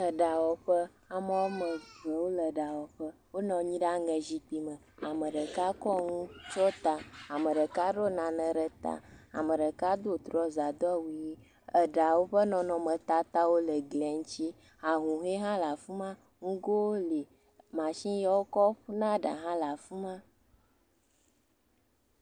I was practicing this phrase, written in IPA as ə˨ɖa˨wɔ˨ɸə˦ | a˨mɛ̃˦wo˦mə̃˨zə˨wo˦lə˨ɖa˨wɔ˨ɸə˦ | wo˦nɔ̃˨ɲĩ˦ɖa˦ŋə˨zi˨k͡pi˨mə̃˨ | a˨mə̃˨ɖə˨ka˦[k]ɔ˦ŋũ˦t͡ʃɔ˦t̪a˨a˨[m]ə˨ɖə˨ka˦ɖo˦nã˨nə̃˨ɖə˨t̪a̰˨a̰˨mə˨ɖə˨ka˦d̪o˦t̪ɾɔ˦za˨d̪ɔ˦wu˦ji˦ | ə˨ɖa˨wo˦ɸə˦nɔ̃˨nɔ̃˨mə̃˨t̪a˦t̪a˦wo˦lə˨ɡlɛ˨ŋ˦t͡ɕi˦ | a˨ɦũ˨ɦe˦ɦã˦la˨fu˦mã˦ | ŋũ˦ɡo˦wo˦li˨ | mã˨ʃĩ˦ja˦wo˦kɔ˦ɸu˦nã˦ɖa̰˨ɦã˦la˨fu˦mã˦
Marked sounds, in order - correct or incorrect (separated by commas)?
correct, correct